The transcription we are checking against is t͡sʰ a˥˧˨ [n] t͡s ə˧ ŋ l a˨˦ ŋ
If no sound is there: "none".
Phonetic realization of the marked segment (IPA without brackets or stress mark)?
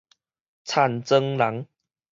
n